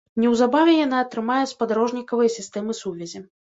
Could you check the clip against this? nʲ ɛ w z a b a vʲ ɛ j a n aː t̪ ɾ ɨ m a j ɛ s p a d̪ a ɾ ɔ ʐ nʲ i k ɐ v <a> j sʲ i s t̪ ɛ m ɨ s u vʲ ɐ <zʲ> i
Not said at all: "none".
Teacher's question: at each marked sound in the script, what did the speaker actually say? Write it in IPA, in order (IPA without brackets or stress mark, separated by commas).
ɐ, zʲ